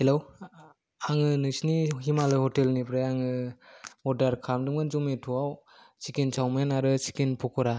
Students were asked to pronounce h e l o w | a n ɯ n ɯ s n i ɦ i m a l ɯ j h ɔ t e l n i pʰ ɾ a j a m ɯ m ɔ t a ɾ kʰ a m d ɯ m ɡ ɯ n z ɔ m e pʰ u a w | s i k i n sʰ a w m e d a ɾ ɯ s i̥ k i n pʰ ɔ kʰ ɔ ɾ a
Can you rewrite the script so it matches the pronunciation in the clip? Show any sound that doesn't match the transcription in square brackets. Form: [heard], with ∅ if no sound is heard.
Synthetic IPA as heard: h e l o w | a [ŋ] ɯ n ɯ s n i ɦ i m a l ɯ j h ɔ t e l n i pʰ ɾ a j a [ŋ] ɯ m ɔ [d] a ɾ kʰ a m d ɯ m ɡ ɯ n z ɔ m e [tʰ] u a w | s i k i n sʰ a w m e [n] a ɾ ɯ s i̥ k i n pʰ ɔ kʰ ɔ ɾ a